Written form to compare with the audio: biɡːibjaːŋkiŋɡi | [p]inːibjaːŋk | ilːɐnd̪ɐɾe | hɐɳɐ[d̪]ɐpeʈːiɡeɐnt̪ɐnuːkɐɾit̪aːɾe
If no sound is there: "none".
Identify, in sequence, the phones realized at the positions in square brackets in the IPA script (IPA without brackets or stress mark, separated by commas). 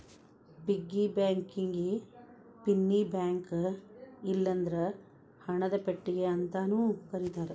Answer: p, d̪